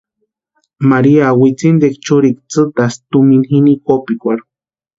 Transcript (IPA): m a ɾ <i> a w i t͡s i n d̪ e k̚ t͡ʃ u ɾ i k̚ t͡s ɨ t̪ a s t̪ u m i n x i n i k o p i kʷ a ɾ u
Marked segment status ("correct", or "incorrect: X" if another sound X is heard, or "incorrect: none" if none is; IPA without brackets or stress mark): correct